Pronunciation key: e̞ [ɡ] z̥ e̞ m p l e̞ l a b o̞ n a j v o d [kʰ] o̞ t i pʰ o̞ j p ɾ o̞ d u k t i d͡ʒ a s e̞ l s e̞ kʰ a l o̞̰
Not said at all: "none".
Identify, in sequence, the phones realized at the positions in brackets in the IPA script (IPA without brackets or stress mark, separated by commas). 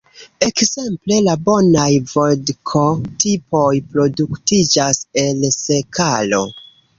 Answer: k, kʰ